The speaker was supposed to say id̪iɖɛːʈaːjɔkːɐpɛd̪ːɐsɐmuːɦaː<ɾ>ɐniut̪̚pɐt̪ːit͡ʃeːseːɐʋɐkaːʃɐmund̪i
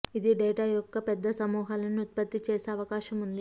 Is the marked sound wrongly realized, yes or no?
yes